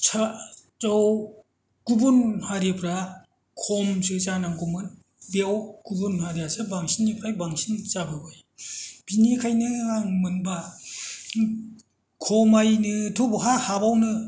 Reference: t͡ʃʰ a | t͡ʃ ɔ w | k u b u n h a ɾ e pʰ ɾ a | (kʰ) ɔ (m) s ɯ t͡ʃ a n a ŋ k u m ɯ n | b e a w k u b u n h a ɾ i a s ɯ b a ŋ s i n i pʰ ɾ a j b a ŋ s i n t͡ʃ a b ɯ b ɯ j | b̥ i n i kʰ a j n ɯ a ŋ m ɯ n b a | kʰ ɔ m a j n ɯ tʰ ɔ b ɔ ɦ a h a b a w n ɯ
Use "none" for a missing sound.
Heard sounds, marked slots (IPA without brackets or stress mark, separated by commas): kʰ, m